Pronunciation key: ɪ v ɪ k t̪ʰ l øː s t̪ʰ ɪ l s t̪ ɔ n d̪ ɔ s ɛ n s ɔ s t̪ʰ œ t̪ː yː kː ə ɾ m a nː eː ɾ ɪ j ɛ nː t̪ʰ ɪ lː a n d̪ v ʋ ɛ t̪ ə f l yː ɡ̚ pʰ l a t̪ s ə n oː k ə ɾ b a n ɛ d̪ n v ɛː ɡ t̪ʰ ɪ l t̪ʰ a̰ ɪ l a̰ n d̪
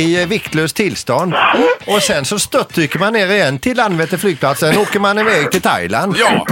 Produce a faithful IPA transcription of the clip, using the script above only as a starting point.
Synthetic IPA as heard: ɪ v ɪ k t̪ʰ l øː s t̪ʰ ɪ l s t̪ ɔ n d̪ ɔ s ɛ n s ɔ s t̪ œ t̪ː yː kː ə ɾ m a nː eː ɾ ɪ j ɛ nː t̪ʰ ɪ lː a n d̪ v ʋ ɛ t̪ ə f l yː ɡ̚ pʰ l a t̪ s ə n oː k ə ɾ m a n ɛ n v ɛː ɡ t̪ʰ ɪ l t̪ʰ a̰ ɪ l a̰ n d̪